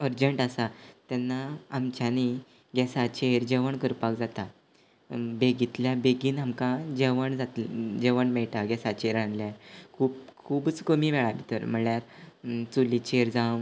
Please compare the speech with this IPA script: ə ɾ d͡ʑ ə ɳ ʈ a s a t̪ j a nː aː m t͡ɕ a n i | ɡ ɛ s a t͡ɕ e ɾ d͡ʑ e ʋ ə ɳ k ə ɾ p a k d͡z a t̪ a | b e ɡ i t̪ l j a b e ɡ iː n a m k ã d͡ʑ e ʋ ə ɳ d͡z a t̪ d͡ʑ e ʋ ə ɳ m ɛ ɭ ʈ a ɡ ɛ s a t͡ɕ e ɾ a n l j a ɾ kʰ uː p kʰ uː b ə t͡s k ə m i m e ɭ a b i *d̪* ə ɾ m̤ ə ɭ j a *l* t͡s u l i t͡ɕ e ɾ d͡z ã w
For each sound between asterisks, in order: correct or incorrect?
incorrect: t̪, incorrect: ɾ

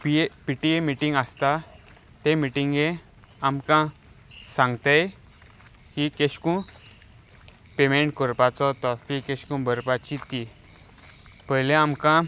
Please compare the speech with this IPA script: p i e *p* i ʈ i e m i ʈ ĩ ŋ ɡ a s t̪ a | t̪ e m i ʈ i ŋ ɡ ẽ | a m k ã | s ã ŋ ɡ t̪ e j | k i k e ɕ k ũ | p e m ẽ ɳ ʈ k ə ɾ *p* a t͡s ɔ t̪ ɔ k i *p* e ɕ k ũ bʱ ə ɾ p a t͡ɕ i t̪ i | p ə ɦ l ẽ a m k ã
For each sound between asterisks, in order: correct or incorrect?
correct, correct, incorrect: k

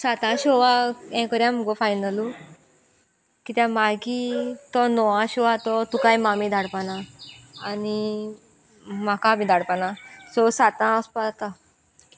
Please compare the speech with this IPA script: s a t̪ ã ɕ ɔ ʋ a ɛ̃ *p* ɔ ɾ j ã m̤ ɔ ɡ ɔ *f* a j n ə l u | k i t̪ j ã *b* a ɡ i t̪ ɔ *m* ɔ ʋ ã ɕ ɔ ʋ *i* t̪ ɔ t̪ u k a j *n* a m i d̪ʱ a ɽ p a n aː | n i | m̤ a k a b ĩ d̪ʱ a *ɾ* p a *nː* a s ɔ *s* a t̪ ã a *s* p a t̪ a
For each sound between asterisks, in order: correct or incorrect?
incorrect: k, correct, incorrect: m, incorrect: n, incorrect: a, incorrect: m, incorrect: ɽ, incorrect: n, correct, correct

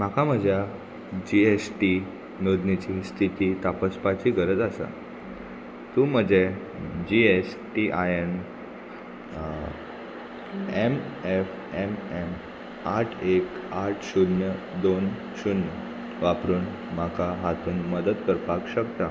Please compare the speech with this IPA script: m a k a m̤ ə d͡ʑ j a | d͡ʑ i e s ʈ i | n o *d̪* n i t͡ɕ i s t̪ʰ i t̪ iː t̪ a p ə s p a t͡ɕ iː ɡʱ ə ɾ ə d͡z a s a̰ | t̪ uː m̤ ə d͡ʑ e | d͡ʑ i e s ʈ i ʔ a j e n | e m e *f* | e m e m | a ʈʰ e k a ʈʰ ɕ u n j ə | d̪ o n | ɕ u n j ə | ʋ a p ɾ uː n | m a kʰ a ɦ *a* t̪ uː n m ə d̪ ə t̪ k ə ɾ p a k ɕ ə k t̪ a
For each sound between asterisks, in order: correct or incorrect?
correct, correct, correct

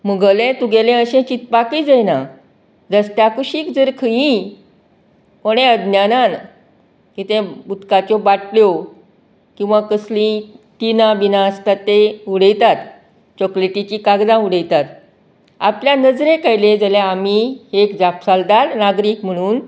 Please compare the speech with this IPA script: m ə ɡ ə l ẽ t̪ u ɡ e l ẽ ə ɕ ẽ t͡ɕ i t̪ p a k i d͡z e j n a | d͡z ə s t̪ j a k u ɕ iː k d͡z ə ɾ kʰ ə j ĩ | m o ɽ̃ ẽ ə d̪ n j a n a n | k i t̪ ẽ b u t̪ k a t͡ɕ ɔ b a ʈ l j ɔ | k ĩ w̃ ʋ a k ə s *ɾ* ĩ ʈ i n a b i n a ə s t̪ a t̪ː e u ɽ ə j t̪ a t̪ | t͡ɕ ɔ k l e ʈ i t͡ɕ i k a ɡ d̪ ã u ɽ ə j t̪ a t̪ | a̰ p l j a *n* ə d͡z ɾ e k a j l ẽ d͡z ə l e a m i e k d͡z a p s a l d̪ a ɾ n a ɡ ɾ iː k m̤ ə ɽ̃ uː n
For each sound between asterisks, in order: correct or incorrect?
incorrect: l, correct

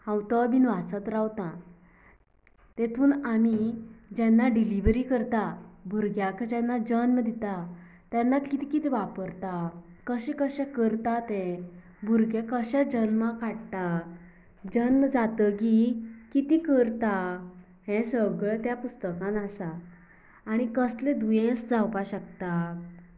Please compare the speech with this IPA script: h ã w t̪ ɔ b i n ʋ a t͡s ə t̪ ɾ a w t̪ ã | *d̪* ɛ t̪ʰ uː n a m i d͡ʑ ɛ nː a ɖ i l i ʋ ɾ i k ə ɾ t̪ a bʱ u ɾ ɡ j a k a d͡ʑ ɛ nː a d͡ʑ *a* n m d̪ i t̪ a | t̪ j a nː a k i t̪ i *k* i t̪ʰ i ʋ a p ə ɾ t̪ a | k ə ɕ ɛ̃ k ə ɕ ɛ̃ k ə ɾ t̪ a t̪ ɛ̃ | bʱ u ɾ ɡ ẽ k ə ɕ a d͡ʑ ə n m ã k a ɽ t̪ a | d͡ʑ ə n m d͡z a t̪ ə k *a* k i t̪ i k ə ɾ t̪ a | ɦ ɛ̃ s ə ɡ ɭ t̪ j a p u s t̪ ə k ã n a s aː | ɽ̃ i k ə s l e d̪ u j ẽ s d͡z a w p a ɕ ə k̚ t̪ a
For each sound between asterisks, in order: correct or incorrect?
incorrect: t̪, incorrect: ə, correct, incorrect: i

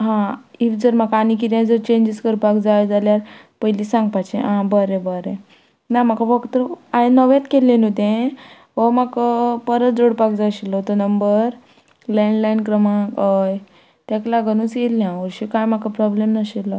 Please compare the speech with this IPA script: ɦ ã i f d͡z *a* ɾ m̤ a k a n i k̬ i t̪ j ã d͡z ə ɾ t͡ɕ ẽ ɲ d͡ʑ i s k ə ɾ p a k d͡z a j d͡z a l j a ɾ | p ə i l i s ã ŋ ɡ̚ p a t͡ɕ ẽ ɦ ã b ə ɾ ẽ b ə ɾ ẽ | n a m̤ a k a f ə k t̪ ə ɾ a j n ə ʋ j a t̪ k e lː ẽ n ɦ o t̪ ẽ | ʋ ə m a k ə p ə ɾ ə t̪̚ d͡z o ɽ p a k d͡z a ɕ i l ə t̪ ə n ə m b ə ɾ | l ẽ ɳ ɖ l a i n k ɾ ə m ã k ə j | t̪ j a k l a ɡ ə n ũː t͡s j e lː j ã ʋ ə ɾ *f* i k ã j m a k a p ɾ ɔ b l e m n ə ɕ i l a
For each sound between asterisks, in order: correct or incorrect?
incorrect: ə, incorrect: ɕ

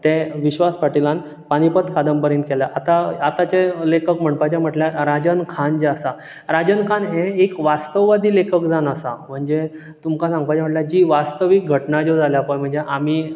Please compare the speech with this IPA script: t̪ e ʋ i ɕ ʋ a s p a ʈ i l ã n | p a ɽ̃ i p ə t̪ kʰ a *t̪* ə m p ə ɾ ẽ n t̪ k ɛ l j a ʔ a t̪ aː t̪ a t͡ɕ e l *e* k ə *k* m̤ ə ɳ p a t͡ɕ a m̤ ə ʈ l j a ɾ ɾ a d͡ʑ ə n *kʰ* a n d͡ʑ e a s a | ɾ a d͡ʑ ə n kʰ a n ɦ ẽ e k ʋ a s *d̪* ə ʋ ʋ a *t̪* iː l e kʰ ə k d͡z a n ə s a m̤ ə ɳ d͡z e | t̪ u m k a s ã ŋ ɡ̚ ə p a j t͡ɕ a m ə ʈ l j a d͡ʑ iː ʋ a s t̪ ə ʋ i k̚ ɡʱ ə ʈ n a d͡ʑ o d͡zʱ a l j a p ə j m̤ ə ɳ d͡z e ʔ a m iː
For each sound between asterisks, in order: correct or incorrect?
incorrect: d̪, correct, correct, correct, incorrect: t̪, incorrect: d̪

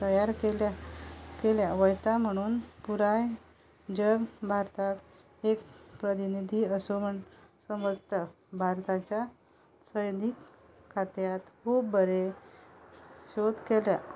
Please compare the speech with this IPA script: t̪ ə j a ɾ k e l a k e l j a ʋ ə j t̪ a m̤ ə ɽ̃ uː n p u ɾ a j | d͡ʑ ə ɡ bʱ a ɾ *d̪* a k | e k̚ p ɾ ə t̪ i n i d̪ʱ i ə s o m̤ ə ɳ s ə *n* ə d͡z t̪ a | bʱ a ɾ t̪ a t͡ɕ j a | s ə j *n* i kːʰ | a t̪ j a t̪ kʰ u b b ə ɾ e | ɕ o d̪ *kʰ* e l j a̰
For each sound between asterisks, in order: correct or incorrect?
incorrect: t̪, incorrect: m, correct, incorrect: k

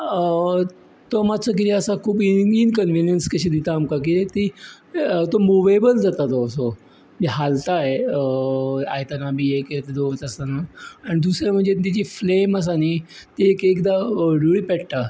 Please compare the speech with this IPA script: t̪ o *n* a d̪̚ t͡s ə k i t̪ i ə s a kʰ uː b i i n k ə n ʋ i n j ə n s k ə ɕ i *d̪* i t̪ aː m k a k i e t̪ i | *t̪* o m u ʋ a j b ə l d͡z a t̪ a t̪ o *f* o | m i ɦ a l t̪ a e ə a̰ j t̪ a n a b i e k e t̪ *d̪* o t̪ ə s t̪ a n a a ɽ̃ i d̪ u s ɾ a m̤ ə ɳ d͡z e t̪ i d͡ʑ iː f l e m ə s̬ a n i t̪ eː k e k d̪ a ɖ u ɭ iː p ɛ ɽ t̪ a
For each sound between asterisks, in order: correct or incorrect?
incorrect: m, correct, correct, incorrect: s, correct

